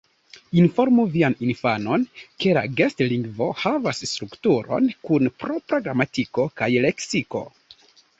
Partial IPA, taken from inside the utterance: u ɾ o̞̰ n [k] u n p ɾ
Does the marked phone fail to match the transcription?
no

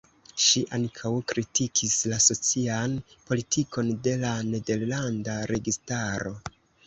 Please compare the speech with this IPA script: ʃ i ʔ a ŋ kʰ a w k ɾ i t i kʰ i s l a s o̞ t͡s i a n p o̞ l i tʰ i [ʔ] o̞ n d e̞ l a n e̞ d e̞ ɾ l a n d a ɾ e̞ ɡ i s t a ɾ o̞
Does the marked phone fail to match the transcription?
yes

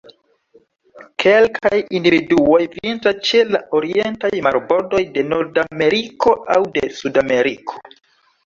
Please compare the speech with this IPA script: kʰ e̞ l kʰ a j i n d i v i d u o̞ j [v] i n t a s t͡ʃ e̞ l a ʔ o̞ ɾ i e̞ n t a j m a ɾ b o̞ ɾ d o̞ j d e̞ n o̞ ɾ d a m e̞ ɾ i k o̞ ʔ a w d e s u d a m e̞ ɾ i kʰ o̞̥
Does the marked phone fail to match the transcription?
no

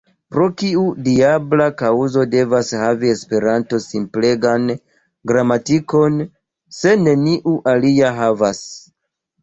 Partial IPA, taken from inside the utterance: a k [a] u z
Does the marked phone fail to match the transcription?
no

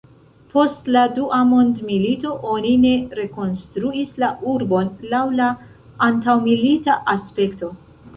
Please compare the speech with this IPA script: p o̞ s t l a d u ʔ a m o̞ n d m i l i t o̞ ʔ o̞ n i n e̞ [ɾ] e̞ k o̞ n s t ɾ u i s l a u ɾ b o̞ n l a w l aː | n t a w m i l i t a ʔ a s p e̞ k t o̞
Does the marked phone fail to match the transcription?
no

